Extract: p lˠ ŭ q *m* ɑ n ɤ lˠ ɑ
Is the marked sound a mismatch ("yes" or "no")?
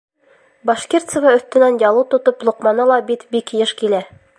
no